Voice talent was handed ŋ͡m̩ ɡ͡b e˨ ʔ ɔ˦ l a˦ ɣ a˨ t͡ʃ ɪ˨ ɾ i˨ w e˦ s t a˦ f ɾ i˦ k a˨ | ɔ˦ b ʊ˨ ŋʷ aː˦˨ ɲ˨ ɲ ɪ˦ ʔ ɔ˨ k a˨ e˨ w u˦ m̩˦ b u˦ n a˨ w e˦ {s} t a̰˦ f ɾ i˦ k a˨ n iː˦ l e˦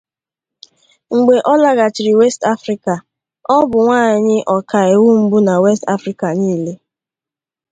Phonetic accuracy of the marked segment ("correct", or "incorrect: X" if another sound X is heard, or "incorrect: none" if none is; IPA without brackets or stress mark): correct